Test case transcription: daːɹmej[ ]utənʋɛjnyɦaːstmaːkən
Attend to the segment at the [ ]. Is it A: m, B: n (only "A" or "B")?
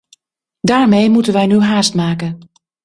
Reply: A